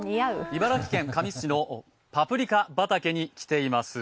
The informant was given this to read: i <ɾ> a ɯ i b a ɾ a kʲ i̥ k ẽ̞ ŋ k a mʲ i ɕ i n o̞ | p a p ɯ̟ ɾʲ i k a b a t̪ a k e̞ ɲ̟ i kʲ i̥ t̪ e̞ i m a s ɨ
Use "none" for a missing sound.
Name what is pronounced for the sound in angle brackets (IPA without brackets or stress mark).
none